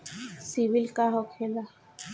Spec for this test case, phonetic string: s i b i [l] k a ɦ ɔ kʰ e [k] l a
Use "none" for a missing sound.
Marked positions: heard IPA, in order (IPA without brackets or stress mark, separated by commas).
l, none